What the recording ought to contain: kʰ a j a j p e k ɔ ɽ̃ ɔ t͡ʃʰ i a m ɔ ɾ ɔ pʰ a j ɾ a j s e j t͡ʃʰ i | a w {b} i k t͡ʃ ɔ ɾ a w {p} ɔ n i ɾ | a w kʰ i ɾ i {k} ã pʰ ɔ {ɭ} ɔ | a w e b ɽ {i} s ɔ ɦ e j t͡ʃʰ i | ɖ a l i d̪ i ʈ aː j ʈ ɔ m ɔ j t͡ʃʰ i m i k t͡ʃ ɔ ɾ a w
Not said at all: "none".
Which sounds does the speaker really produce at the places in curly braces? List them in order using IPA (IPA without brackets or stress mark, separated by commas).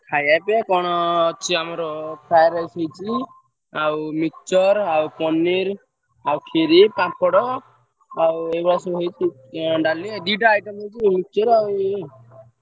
m, p, p, ɽ, a